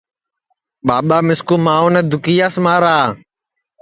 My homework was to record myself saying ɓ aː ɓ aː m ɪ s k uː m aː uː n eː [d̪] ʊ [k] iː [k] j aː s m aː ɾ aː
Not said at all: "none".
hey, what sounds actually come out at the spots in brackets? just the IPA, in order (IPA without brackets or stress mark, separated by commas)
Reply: d̪, k, none